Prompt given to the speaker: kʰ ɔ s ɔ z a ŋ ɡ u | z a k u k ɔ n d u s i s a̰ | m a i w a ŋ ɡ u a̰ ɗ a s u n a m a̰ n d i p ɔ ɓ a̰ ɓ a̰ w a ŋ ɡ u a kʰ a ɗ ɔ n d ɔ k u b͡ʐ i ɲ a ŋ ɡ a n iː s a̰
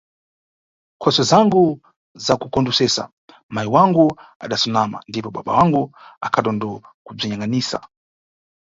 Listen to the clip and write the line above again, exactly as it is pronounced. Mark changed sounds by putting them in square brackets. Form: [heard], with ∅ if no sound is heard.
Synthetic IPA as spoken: kʰ ɔ s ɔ z a ŋ ɡ u | z a k u k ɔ n d u s [ɛ] s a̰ | m a i w a ŋ ɡ u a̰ ɗ a s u n a m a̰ n d i p ɔ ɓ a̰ ɓ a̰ w a ŋ ɡ u a kʰ a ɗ ɔ n d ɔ k u b͡ʐ i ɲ a ŋ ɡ a n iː s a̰